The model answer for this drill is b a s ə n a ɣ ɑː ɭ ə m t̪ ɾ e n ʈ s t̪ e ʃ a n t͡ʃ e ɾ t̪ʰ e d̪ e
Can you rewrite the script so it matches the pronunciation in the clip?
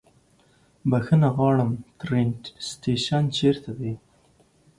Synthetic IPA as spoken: b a x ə n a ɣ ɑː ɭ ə m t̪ ɾ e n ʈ s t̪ e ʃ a n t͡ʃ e ɾ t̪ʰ a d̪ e